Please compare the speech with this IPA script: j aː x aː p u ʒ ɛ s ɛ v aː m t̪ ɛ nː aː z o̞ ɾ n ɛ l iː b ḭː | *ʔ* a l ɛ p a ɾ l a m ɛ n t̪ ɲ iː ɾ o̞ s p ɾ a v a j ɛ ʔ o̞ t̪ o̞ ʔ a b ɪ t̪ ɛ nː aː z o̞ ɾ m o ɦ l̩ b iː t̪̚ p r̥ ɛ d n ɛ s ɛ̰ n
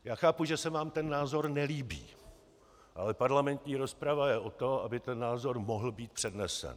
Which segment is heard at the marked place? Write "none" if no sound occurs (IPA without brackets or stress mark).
ʔ